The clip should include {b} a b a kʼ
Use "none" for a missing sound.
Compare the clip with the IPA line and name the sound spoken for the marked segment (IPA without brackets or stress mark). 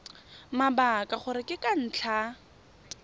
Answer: m